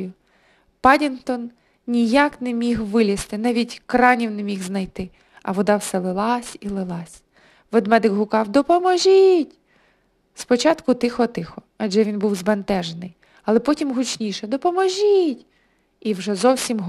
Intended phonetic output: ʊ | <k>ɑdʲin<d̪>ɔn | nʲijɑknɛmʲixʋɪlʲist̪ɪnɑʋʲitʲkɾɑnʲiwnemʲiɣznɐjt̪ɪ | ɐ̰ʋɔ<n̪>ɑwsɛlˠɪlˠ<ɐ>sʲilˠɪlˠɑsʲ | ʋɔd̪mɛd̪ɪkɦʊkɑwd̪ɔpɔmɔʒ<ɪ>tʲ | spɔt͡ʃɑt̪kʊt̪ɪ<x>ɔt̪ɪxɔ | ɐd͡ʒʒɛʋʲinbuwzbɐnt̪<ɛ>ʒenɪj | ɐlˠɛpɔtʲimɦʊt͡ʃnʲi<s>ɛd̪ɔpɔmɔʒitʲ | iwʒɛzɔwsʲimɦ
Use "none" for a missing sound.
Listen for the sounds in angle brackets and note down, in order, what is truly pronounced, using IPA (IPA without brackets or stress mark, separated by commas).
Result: p, t̪, d̪, ɑ, i, x, ɛ, ʃ